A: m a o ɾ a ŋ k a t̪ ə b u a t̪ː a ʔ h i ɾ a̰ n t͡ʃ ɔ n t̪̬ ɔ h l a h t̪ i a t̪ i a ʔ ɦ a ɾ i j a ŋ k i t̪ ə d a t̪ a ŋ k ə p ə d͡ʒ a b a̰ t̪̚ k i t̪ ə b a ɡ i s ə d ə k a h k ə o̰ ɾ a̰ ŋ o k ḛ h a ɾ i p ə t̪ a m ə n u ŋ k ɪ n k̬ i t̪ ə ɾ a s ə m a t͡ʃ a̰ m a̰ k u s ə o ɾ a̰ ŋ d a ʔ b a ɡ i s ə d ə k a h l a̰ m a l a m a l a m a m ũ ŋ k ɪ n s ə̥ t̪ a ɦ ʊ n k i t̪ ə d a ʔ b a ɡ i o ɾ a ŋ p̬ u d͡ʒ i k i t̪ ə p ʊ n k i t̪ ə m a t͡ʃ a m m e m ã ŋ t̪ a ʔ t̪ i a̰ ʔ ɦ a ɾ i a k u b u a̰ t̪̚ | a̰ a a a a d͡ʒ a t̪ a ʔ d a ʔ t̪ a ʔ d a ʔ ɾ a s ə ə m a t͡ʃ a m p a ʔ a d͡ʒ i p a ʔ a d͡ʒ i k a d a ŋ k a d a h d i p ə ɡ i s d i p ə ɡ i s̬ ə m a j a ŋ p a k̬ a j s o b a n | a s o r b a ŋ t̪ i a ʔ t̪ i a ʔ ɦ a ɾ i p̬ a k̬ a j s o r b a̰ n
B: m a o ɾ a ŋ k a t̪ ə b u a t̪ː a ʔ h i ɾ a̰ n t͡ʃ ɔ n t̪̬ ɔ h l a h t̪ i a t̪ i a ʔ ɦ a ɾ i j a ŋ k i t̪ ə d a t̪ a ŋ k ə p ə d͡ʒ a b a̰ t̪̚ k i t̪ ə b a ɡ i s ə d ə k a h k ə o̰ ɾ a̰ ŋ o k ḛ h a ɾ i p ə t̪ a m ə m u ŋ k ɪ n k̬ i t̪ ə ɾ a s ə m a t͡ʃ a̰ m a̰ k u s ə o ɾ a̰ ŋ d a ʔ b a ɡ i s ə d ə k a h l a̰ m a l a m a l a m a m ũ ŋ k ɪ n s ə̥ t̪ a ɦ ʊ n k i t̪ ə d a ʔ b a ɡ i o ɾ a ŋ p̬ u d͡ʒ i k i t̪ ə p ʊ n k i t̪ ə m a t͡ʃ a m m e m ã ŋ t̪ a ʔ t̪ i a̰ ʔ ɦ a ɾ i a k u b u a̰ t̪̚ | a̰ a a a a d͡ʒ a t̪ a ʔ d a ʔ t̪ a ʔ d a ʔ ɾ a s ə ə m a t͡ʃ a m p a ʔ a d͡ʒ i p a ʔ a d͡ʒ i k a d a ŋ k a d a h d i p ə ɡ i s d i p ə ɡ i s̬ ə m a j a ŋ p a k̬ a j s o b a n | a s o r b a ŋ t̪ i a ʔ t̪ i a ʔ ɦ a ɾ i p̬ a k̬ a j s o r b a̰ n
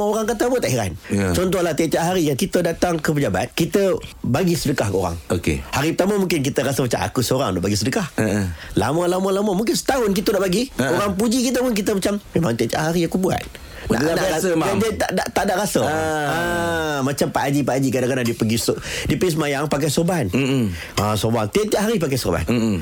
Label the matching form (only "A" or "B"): B